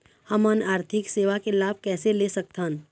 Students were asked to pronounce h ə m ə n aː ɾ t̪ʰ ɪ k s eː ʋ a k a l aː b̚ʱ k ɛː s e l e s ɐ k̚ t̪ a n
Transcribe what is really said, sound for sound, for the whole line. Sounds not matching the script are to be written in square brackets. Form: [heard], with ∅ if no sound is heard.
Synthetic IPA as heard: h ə m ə n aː ɾ t̪ʰ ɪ k s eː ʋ a k [e] l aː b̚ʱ k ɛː s e l e s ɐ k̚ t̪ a n